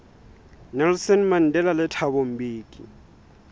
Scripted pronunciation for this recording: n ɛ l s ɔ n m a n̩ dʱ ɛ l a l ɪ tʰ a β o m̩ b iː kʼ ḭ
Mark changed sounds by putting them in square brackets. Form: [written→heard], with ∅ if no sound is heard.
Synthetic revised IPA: n ɛ l s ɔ n m a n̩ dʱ ɛ l a l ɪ tʰ a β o m̩ b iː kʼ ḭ